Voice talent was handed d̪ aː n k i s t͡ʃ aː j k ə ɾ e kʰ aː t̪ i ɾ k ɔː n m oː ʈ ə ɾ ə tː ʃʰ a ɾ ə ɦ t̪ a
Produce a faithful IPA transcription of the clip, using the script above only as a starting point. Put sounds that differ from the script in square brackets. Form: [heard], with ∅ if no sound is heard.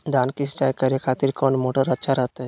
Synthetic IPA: d̪ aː n k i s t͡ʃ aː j k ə ɾ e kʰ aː t̪ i ɾ k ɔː n m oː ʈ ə ɾ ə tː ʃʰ a ɾ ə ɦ t̪ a